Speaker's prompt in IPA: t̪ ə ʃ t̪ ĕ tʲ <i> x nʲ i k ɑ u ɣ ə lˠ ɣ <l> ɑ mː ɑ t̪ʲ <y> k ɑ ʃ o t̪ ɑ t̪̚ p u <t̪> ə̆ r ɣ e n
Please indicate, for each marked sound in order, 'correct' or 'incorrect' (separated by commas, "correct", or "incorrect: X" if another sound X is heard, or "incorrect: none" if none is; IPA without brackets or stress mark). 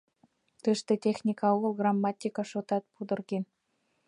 incorrect: e, incorrect: r, incorrect: i, incorrect: d̪